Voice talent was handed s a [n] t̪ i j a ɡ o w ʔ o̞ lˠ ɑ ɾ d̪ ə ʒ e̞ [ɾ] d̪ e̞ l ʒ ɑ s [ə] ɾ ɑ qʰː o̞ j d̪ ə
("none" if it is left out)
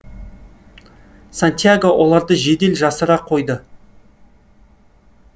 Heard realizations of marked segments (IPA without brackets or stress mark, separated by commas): n, none, ə